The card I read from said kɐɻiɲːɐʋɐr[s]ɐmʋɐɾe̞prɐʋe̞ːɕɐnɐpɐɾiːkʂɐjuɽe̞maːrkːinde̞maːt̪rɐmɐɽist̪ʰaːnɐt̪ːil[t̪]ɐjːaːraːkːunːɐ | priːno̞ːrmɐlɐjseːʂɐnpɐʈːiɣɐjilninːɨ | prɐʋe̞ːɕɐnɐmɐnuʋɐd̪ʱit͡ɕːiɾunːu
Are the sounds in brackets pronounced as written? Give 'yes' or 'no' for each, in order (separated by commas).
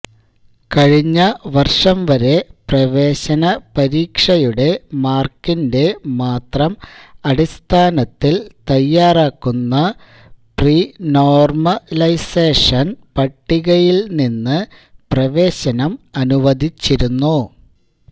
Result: no, yes